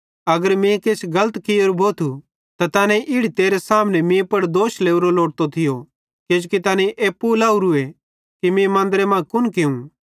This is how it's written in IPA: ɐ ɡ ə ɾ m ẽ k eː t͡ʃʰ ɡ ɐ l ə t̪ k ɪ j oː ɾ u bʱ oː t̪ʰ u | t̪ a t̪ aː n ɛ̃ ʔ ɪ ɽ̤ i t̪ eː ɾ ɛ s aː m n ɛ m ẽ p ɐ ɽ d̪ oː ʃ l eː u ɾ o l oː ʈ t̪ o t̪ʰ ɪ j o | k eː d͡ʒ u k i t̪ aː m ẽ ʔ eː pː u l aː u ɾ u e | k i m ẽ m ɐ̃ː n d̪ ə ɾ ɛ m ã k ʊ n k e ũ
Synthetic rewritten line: ɐ ɡ ə ɾ m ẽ k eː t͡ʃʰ ɡ ɐ l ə t̪ k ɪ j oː ɾ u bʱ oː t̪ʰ u | t̪ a t̪ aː n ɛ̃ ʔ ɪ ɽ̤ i t̪ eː ɾ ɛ s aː m n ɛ m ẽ p ɐ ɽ d̪ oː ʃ l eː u ɾ o l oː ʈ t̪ o t̪ʰ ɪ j o | k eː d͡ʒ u k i t̪ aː n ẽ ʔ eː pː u l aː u ɾ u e | k i m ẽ m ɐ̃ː n d̪ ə ɾ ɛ m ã k ʊ n k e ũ